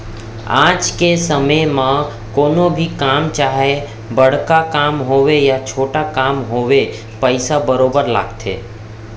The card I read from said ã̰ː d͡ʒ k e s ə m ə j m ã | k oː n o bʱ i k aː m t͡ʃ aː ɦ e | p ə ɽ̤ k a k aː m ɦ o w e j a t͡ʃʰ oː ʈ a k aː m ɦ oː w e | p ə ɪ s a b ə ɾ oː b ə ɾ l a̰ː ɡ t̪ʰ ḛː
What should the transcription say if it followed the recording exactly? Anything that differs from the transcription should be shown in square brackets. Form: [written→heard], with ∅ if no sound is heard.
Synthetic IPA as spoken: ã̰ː d͡ʒ k e s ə m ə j m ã | k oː n o bʱ i k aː m t͡ʃ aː ɦ e | [p→b] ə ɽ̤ k a k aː m ɦ o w e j a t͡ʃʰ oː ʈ a k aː m ɦ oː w e | p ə ɪ s a b ə ɾ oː b ə ɾ l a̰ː ɡ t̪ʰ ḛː